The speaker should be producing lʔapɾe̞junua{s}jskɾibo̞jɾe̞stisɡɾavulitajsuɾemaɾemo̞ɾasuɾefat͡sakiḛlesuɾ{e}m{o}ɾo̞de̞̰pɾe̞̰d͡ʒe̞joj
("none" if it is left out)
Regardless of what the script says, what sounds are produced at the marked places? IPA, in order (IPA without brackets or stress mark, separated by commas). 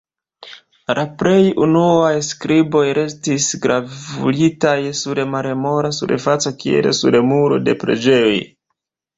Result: none, e, u